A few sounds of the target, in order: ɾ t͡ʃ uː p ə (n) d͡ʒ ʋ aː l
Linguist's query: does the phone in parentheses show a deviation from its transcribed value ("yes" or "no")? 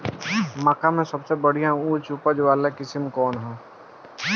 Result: yes